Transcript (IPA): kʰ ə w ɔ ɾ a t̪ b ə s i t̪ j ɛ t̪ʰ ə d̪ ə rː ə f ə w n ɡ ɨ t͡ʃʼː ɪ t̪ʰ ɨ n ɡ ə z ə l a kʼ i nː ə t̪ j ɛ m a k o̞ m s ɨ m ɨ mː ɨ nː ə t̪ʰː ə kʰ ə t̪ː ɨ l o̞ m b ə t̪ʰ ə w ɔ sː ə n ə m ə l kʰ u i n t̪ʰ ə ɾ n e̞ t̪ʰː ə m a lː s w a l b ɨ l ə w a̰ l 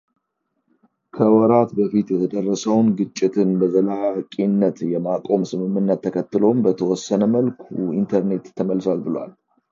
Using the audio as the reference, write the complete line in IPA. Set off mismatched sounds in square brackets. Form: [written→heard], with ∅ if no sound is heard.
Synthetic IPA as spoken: kʰ ə w ɔ ɾ a t̪ b ə [s→f] i t̪ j ɛ t̪ʰ ə d̪ ə rː ə [f→s] ə w n ɡ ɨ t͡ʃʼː ɪ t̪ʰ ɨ n [ɡ→b] ə z ə l a kʼ i nː ə t̪ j ɛ m a [k→kʼ] o̞ m s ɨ m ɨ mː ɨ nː ə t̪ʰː ə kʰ ə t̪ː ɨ l o̞ m b ə t̪ʰ ə w ɔ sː ə n ə m ə l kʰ u i n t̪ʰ ə ɾ n e̞ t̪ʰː ə m [a→ə] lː s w a l b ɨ l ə w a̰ l